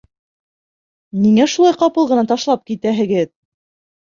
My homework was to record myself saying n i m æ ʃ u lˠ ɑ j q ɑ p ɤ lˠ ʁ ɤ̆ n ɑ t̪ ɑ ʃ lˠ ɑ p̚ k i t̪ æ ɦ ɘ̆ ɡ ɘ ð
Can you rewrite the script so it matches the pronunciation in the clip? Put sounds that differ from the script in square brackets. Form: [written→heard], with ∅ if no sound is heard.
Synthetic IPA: n i [m→ŋ] æ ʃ u lˠ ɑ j q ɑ p ɤ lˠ ʁ ɤ̆ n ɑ t̪ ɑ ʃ lˠ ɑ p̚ k i t̪ æ ɦ ɘ̆ ɡ ɘ ð

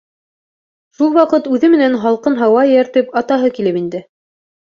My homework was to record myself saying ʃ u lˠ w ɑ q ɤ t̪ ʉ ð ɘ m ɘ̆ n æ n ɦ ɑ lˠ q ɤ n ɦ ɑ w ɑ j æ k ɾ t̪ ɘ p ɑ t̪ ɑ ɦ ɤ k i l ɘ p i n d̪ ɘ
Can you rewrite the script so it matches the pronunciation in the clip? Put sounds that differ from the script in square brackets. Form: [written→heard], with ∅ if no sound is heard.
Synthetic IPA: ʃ u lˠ w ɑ q ɤ t̪ ʉ ð ɘ m ɘ̆ n æ n ɦ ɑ lˠ q ɤ n ɦ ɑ w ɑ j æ [k→∅] ɾ t̪ ɘ p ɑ t̪ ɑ ɦ ɤ k i l ɘ p i n d̪ ɘ

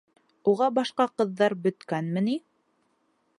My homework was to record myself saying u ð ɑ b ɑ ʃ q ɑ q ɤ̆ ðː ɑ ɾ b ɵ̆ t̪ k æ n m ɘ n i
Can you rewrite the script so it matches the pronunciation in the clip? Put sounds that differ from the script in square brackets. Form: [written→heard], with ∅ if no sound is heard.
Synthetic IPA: u [ð→ʁ] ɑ b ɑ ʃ q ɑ q ɤ̆ ðː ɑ ɾ b ɵ̆ t̪ k æ n m ɘ n i

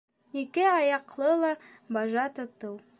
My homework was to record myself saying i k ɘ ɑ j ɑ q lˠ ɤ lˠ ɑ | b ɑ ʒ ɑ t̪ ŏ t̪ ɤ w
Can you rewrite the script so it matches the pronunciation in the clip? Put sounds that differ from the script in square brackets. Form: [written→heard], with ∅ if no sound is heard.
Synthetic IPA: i k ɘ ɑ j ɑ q lˠ ɤ lˠ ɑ | b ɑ ʒ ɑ t̪ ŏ t̪ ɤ w

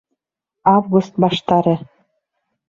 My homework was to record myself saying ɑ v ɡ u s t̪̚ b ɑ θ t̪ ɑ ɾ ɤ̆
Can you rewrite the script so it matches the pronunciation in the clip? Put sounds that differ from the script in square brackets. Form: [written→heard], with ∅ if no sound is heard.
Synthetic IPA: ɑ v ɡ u s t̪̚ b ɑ [θ→ʃ] t̪ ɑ ɾ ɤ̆

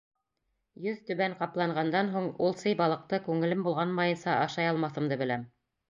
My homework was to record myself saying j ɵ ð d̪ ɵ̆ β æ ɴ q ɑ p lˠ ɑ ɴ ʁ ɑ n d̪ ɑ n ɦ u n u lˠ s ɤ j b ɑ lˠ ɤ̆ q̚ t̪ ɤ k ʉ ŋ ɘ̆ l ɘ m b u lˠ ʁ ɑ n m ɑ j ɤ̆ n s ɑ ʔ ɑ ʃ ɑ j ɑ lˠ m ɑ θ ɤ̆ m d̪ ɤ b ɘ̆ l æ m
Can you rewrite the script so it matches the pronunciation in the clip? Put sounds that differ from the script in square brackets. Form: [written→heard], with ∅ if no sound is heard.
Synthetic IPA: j ɵ ð [d̪→t̪] ɵ̆ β æ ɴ q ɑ p lˠ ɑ ɴ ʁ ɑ n d̪ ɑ n ɦ u [n→ɴ] u lˠ s ɤ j b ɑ lˠ ɤ̆ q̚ t̪ ɤ k ʉ ŋ ɘ̆ l ɘ m b u lˠ ʁ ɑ n m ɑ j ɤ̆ n s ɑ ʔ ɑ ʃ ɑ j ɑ lˠ m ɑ θ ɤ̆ m d̪ ɤ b ɘ̆ l æ m

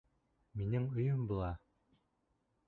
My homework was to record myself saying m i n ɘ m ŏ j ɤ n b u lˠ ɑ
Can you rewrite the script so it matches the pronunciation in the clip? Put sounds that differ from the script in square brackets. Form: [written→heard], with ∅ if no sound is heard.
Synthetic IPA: m i n ɘ [m→ŋ] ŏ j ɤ [n→m] b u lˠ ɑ

